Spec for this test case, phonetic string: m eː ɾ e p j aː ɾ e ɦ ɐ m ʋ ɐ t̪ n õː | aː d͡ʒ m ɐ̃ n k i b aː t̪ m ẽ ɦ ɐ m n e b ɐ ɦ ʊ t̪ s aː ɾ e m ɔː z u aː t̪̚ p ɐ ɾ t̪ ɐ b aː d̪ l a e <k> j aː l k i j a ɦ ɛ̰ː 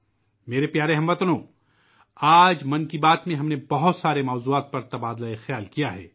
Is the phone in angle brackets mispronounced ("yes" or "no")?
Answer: yes